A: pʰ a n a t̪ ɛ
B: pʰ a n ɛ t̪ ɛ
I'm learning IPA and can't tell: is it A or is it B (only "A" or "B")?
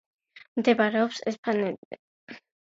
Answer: B